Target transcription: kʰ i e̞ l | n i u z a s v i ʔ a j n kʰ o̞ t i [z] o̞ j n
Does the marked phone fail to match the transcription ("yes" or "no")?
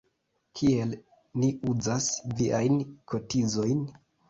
no